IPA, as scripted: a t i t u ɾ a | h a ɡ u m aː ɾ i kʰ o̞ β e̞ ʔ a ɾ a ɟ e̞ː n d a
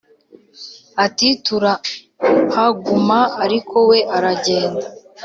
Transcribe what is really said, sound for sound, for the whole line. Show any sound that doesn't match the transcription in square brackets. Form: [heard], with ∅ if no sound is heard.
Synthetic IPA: a t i t u ɾ a | h a ɡ u m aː ɾ i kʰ o̞ [w] e̞ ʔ a ɾ a ɟ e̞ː n d a